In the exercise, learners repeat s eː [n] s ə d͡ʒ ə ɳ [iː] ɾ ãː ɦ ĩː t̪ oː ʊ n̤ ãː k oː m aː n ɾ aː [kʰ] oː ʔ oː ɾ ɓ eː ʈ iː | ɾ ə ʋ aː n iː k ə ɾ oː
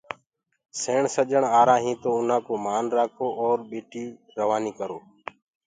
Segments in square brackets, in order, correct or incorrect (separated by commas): incorrect, incorrect, correct